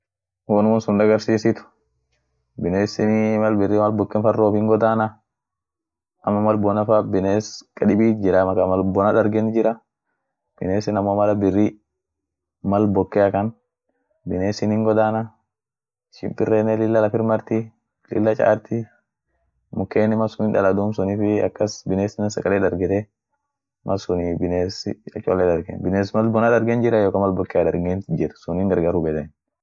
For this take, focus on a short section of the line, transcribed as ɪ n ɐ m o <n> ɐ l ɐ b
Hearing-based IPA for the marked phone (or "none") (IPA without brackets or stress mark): m